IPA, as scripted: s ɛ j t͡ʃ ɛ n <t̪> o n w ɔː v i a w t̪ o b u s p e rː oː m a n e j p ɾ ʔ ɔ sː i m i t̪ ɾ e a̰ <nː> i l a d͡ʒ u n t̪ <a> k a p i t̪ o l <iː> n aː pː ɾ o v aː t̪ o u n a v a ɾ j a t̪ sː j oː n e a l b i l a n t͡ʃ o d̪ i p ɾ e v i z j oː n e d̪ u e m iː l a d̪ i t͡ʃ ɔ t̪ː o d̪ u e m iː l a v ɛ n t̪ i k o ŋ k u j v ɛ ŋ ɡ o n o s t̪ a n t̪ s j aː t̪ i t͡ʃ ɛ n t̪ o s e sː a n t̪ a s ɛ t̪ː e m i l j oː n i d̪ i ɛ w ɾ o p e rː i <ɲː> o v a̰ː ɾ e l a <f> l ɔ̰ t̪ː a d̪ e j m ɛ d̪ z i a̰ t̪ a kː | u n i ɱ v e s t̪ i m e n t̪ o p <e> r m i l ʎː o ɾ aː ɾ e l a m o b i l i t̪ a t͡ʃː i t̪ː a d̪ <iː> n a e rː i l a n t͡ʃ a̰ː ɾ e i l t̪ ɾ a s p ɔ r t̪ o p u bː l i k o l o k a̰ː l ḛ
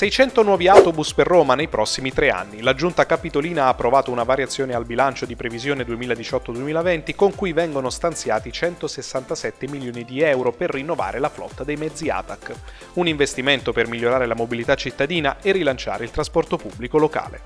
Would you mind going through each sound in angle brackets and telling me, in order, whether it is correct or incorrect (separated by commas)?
correct, correct, correct, correct, incorrect, correct, correct, correct